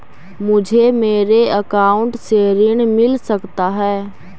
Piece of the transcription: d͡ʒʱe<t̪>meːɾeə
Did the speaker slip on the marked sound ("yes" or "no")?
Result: yes